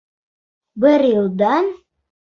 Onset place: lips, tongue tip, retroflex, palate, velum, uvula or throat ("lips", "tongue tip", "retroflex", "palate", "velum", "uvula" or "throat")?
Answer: lips